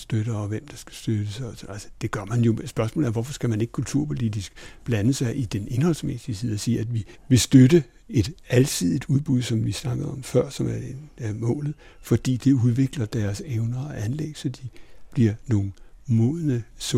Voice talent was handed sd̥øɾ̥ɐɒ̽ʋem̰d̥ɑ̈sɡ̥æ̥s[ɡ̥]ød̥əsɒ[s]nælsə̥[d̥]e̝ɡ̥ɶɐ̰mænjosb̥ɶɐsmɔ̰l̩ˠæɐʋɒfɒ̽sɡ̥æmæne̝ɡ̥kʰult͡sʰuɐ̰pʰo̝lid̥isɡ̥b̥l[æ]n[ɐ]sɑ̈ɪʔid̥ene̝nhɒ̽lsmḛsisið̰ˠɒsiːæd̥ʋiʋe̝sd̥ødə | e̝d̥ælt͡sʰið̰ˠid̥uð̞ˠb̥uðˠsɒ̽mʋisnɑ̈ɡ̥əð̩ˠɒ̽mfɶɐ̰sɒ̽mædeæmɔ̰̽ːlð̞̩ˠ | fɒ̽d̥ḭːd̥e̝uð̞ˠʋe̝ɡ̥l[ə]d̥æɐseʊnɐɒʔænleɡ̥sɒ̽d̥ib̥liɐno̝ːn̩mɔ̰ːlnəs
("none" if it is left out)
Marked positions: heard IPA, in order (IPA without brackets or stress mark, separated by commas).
d̥, s, d̥, æ, ə, ɐ